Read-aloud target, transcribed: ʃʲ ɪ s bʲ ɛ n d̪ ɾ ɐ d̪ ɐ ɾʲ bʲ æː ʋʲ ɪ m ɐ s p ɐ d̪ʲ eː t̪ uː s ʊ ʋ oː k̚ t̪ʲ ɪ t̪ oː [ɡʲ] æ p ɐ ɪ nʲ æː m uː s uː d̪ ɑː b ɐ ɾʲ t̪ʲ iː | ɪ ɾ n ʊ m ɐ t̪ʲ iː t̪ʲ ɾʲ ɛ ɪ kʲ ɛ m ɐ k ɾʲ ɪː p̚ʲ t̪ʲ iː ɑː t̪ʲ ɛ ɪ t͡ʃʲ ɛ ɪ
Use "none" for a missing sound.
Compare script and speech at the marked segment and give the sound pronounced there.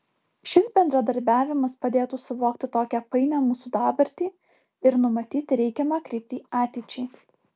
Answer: kʲ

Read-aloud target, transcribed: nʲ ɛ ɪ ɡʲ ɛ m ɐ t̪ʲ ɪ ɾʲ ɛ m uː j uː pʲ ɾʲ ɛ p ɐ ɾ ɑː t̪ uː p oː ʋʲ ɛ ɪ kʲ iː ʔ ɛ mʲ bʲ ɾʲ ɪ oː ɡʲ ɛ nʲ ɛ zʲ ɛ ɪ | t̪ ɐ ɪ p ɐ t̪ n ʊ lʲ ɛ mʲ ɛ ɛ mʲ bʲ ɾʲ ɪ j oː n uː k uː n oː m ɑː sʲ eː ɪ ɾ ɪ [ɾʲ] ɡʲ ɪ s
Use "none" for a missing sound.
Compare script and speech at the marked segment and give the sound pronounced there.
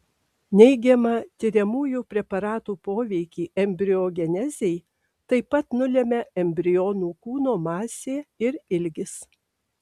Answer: lʲ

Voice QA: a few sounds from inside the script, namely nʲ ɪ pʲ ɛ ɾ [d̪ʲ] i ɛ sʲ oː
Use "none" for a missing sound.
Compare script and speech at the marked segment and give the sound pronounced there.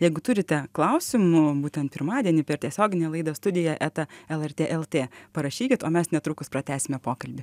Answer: t̪ʲ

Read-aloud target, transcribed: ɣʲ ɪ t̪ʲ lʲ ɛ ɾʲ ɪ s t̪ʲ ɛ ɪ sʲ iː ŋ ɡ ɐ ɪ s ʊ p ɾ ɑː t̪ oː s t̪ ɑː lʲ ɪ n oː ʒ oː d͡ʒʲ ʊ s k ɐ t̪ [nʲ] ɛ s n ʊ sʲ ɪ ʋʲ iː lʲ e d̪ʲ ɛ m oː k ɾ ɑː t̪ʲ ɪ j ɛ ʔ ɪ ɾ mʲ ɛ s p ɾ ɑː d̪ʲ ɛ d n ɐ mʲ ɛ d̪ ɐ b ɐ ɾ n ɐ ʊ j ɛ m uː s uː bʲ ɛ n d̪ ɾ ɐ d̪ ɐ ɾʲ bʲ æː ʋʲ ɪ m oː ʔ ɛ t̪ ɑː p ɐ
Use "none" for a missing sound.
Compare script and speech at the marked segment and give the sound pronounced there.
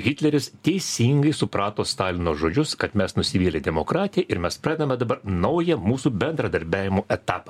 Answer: mʲ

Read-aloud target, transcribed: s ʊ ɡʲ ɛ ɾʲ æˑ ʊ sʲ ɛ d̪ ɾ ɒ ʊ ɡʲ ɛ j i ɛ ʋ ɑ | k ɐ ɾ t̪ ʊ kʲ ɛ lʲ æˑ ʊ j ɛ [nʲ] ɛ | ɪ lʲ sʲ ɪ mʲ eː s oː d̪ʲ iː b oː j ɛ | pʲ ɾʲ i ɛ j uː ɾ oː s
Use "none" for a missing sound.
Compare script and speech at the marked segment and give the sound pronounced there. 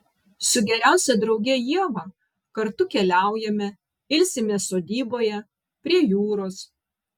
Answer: mʲ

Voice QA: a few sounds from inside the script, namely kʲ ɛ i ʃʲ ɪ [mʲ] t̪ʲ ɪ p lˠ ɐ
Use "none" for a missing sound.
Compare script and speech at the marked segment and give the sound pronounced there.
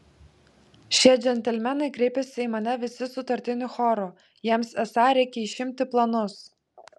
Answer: mʲ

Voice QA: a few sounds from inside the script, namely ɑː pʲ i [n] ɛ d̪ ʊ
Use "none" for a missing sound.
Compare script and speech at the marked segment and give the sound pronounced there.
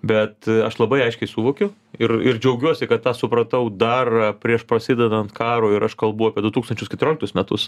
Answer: none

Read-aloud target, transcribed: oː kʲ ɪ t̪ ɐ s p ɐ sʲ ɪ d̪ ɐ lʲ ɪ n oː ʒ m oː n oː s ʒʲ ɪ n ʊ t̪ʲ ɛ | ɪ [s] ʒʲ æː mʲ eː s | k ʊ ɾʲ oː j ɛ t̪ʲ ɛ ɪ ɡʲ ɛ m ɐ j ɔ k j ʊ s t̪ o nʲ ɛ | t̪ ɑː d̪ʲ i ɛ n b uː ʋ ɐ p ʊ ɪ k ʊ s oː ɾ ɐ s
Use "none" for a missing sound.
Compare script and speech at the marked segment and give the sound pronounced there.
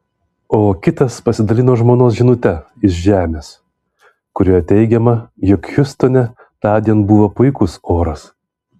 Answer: ʃ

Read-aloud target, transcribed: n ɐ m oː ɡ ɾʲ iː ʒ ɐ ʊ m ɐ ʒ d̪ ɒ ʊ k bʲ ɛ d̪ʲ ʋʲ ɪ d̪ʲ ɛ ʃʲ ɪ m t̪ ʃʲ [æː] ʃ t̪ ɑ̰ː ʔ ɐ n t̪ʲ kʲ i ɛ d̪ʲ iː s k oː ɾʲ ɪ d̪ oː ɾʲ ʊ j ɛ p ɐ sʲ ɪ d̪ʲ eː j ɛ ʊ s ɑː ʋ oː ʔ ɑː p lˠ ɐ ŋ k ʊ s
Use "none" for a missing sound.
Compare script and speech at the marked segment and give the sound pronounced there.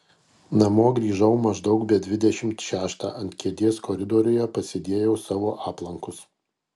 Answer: æː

